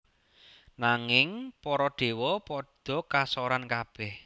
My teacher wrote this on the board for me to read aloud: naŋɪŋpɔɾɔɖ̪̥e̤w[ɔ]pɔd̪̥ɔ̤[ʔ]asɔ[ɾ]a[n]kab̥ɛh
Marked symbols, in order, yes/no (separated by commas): yes, no, yes, yes